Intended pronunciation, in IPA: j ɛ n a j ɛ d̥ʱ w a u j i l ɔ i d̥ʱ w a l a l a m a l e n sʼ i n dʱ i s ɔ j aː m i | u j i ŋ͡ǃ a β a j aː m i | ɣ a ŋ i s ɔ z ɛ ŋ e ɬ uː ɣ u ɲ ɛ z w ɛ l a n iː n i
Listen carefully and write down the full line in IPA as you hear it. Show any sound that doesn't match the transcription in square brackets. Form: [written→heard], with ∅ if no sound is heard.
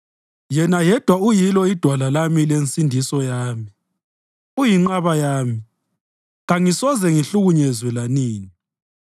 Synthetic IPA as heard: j ɛ n a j ɛ d̥ʱ w a u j i l ɔ i d̥ʱ w a l a l a m [a→i] l e n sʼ i n dʱ i s ɔ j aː m i | u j i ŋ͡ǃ a β a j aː m i | ɣ a ŋ i s ɔ z ɛ ŋ [e→i] ɬ [uː→u] ɣ u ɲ ɛ z w ɛ l a n iː n i